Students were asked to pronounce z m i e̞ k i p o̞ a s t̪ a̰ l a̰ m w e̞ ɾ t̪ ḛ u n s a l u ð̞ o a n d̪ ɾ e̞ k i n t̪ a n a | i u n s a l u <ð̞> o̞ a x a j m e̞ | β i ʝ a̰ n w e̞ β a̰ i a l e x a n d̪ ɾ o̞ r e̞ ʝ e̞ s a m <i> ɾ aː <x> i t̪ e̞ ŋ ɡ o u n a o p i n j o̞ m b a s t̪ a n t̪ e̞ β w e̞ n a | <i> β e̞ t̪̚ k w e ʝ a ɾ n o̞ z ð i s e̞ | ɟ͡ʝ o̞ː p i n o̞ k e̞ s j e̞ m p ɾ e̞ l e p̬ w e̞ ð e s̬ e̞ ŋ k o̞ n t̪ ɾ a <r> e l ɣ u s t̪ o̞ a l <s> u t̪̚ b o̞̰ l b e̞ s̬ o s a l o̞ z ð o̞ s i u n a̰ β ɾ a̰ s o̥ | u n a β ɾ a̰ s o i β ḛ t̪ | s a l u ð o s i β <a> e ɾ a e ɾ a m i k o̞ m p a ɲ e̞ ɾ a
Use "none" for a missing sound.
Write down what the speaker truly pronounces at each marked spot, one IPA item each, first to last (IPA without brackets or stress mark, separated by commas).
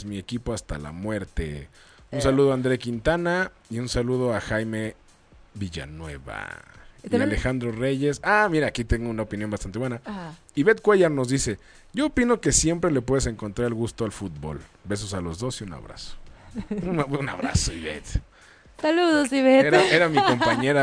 ð̞, i, k, i, ɾ, f, e